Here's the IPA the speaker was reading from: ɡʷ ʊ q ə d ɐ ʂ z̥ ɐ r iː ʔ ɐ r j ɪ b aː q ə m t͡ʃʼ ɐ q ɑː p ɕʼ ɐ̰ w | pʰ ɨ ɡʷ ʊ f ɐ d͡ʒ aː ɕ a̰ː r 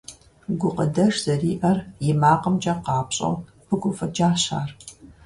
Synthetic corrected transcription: ɡʷ ʊ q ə d ɐ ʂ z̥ ɐ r iː ʔ ɐ r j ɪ m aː q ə m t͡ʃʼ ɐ q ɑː p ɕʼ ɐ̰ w | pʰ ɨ ɡʷ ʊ f ɐ d͡ʒ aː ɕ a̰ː r